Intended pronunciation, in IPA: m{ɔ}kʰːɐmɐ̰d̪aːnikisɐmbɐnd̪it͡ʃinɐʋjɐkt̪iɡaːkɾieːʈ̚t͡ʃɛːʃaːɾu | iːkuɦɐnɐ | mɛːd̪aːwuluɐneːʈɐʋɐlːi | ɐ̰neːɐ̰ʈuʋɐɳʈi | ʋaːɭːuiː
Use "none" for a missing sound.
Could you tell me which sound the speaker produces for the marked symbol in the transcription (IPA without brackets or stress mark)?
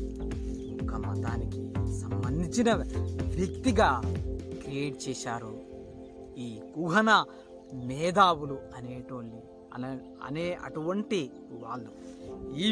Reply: u